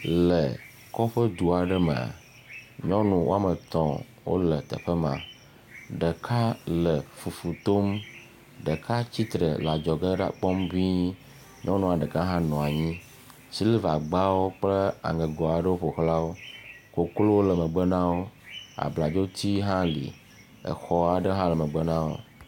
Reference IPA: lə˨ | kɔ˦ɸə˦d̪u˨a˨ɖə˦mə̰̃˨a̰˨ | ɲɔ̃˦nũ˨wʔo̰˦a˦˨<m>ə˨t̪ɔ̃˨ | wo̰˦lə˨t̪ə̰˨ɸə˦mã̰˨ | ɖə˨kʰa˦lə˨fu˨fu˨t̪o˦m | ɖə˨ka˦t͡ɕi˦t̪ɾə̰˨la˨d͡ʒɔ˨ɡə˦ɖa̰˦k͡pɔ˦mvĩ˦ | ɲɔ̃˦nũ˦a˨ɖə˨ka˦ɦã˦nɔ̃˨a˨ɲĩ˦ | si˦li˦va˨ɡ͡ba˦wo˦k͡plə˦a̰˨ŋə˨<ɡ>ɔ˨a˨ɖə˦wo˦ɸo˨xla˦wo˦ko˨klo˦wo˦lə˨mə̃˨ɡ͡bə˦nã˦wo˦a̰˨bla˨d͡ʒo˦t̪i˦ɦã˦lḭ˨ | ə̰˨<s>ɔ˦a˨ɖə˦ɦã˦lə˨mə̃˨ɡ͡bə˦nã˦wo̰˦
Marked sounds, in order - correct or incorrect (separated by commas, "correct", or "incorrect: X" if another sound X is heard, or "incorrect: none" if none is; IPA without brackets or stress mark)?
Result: correct, correct, incorrect: x